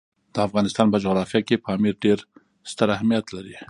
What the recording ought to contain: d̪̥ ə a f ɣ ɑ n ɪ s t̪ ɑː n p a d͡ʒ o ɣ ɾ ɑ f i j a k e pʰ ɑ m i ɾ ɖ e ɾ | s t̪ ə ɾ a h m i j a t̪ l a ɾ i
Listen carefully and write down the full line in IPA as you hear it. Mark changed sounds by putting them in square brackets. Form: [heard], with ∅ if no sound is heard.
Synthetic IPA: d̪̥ ə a f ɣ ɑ n ɪ s t̪ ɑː n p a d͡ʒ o ɣ ɾ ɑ f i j a k e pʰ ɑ m i ɾ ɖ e ɾ | s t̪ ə ɾ a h m i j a t̪ l a ɾ i